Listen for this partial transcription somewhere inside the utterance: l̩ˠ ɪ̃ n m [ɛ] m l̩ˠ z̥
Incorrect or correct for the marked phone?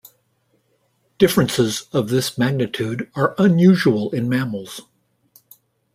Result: incorrect: æ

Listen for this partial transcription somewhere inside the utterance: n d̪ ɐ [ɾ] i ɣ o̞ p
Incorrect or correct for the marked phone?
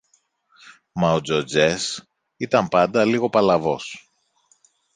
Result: incorrect: l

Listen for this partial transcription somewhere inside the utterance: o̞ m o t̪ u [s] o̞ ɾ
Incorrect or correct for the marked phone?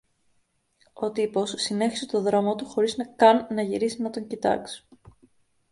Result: incorrect: x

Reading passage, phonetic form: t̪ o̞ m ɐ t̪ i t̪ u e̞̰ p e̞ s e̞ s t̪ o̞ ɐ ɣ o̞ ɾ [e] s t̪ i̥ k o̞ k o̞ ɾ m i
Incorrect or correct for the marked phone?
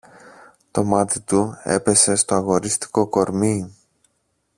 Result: incorrect: i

